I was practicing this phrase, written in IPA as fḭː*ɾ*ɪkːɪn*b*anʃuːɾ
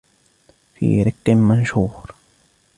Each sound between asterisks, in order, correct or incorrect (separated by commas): correct, incorrect